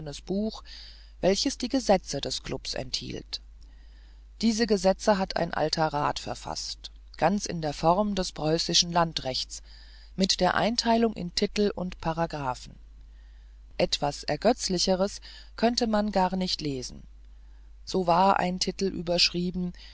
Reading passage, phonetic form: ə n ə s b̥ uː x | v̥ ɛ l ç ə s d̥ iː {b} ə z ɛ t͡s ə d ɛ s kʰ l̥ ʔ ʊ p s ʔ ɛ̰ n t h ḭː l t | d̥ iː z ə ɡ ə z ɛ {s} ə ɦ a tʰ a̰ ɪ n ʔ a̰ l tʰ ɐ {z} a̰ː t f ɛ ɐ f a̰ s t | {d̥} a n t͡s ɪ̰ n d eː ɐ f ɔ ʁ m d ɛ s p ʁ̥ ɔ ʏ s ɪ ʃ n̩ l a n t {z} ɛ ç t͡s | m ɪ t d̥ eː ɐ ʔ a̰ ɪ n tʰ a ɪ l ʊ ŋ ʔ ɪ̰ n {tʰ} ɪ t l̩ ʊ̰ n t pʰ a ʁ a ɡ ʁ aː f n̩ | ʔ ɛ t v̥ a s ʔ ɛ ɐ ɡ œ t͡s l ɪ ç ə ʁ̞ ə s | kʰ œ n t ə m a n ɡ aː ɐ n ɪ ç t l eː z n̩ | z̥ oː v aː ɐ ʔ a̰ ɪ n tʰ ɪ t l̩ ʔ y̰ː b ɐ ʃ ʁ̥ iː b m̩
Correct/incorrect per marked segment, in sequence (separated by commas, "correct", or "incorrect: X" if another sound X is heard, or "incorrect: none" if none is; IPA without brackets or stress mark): incorrect: ɡ, incorrect: t͡s, incorrect: ʁ, incorrect: ɡ̥, incorrect: ʁ, correct